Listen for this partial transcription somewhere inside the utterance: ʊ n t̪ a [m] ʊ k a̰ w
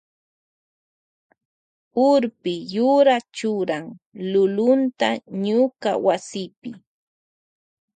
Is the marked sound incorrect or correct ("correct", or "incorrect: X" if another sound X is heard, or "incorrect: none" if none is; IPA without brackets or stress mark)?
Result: incorrect: ɲ